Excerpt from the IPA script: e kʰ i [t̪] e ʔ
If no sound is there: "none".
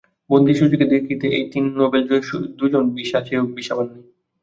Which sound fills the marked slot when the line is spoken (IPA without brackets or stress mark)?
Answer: t̪